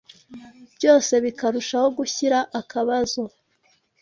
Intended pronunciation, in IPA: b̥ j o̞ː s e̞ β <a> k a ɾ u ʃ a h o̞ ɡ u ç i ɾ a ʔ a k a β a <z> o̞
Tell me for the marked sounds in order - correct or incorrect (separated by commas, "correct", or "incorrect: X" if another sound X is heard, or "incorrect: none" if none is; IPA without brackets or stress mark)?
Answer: incorrect: i, correct